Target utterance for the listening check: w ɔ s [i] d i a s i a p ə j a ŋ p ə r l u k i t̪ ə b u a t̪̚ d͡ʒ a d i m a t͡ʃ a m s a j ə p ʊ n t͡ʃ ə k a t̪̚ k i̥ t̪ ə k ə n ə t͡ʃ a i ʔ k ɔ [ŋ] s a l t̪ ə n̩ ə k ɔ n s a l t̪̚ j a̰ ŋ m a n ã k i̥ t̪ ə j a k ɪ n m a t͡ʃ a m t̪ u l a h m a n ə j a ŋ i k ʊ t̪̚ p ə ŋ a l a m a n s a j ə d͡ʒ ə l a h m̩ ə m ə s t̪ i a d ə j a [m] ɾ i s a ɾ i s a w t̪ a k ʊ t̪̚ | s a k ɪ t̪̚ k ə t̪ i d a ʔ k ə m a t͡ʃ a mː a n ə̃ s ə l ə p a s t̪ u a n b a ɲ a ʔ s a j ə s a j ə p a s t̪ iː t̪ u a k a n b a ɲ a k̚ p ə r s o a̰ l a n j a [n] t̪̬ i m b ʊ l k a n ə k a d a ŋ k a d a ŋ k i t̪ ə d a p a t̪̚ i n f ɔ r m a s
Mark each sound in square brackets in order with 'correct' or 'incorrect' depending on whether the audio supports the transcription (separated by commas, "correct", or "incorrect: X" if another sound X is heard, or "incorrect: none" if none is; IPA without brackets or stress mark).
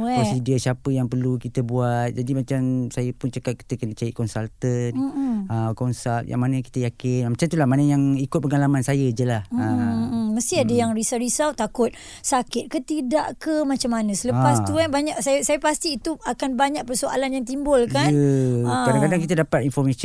correct, incorrect: n, incorrect: ŋ, incorrect: ŋ